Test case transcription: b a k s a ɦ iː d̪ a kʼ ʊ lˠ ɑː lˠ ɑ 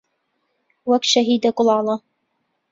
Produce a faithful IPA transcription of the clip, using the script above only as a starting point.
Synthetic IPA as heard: w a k ʃ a ɦ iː d̪ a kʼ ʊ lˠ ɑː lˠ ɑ